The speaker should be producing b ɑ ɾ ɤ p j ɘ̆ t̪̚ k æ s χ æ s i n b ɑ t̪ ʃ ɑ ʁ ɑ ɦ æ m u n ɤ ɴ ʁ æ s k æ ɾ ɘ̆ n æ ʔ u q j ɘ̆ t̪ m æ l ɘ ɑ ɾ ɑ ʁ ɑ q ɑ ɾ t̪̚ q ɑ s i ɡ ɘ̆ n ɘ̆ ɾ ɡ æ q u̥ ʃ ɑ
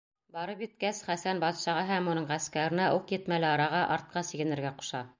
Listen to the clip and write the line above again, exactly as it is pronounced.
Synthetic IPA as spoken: b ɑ ɾ ɤ p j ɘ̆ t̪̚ k æ s χ æ s æ n b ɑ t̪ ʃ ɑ ʁ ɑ ɦ æ m u n ɤ ɴ ʁ æ s k æ ɾ ɘ̆ n æ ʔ u q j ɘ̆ t̪ m æ l ɘ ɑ ɾ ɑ ʁ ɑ ʔ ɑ ɾ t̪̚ q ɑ s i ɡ ɘ̆ n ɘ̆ ɾ ɡ æ q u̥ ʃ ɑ